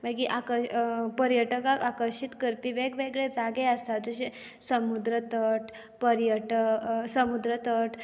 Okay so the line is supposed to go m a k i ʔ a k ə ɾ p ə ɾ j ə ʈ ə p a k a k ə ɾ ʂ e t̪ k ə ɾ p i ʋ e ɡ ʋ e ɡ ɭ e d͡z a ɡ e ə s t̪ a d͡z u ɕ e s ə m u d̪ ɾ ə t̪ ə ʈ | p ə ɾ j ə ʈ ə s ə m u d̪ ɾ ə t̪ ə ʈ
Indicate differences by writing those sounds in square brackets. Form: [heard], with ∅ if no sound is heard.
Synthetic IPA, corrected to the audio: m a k i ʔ a k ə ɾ p ə ɾ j ə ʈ ə [k] a k a k ə ɾ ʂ [i] t̪ k ə ɾ p i ʋ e ɡ ʋ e ɡ ɭ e d͡z a ɡ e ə s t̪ a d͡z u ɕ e s ə m u d̪ ɾ ə t̪ ə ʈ | p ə ɾ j ə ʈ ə s ə m u d̪ ɾ ə t̪ ə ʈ